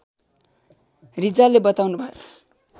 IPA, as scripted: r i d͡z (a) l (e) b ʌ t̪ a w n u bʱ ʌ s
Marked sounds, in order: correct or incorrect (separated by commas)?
correct, correct